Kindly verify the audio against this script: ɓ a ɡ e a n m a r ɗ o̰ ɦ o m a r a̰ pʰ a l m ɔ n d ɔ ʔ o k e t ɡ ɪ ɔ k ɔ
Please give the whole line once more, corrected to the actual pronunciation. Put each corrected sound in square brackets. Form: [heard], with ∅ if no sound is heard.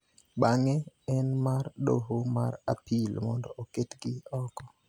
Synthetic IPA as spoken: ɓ a [ŋ] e [ɛ] n m a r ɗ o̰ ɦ o m a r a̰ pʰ [i] l m ɔ n d ɔ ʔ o k e t ɡ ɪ ɔ k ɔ